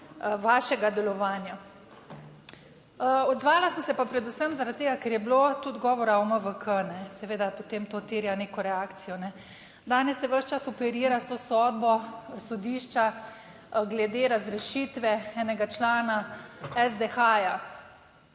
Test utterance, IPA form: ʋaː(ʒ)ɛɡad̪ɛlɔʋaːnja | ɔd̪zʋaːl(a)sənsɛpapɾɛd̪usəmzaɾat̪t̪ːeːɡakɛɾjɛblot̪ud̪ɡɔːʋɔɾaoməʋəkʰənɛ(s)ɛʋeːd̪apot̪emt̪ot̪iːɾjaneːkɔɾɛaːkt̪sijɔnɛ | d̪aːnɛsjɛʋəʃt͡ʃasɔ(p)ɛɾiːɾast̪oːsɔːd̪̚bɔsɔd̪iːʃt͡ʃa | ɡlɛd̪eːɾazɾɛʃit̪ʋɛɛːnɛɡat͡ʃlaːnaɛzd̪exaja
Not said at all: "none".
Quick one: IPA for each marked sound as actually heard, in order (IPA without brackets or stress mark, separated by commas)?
ʃ, a, s, p